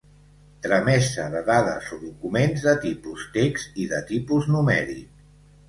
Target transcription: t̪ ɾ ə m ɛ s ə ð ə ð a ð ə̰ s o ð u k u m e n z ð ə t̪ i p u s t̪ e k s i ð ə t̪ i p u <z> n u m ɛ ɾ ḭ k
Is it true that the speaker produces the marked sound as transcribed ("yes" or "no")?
yes